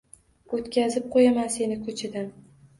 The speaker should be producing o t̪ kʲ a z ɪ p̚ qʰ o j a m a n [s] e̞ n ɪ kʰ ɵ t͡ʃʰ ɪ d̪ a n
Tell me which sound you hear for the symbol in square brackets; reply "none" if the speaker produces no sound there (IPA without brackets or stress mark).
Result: s